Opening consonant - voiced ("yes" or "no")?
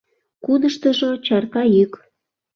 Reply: no